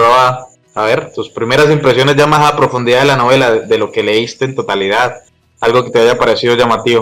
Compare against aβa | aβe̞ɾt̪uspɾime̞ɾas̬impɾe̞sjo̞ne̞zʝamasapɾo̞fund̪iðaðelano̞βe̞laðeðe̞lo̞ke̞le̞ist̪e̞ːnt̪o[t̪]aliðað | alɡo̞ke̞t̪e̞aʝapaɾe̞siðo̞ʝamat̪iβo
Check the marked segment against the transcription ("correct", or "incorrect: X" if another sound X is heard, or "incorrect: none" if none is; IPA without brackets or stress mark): correct